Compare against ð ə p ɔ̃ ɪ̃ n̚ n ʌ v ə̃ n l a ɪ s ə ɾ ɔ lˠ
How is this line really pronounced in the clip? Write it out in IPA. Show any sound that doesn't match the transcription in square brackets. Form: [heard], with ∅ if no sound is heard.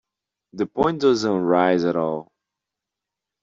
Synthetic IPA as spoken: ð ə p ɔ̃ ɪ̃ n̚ [d] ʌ [z] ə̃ n [ɹ] a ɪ [z] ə ɾ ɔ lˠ